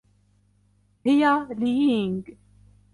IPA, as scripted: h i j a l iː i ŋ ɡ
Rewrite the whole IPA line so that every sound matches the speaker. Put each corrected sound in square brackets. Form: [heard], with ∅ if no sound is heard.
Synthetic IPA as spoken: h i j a l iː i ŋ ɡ